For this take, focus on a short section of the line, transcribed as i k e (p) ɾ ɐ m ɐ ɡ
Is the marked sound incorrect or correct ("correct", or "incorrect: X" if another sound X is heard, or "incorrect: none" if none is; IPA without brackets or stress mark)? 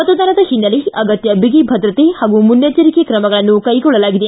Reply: incorrect: k